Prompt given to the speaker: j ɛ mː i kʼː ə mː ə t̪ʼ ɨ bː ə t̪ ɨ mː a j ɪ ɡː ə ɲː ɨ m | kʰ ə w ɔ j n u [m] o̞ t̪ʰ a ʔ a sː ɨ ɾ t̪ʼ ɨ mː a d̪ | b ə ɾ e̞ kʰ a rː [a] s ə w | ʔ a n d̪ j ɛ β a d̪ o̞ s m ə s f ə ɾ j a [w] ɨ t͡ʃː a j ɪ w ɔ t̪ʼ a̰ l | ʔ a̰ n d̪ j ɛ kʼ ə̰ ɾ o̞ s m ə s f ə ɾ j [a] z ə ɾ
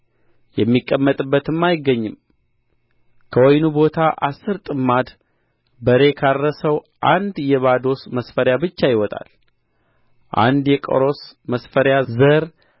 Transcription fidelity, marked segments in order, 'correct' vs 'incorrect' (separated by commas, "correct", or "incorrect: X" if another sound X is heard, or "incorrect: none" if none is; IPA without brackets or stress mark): incorrect: b, incorrect: ə, incorrect: b, correct